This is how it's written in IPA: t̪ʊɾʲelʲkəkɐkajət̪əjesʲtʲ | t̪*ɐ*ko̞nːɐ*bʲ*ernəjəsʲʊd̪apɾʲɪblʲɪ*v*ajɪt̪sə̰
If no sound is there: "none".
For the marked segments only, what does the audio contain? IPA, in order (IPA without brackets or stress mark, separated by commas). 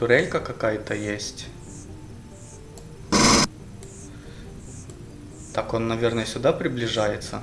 a, vʲ, ʐ